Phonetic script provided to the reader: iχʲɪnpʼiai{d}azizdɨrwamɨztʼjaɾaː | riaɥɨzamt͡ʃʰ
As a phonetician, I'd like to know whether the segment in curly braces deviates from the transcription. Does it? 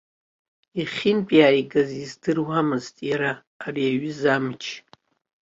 yes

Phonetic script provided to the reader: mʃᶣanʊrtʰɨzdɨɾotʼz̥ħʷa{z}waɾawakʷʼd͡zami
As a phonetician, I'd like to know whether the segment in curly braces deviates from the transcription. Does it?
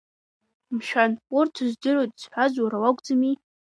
no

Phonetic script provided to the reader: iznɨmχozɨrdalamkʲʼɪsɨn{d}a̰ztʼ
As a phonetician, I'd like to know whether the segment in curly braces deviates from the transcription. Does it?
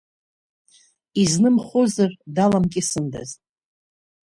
no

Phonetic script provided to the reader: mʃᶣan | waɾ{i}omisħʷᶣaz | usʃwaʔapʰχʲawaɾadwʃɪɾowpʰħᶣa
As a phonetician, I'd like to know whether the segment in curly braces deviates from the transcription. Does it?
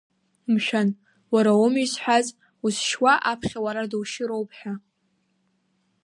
yes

